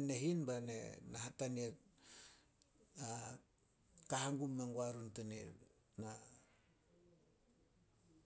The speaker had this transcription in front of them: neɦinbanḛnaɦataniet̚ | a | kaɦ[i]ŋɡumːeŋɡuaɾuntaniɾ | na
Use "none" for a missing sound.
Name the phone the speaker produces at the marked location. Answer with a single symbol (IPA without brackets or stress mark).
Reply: a